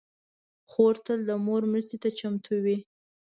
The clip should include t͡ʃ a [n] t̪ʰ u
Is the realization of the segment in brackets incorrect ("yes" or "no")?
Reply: yes